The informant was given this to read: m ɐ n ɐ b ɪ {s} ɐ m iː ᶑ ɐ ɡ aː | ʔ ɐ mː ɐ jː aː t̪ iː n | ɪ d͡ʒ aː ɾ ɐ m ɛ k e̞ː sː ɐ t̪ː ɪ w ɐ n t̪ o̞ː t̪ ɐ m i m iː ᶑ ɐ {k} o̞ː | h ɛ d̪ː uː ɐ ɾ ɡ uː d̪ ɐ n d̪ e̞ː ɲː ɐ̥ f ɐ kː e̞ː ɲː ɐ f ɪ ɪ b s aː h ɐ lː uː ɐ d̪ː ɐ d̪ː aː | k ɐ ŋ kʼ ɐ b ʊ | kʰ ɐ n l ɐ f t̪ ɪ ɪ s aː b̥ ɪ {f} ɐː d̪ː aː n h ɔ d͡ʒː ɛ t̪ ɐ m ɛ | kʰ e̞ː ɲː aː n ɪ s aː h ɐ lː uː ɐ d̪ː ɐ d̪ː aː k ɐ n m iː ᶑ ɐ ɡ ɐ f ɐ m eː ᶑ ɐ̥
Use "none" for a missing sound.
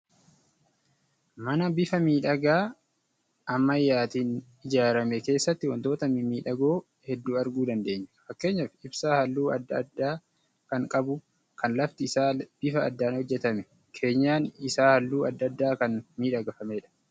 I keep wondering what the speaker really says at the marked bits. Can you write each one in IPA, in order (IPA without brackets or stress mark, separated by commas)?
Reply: f, ɡ, f